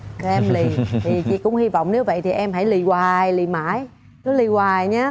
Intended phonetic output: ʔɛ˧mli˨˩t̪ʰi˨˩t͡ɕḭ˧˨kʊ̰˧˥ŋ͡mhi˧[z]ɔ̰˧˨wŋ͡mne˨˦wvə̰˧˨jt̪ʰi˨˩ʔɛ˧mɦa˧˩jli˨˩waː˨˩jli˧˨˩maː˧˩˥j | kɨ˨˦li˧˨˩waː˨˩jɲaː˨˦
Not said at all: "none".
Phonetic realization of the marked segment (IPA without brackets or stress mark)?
v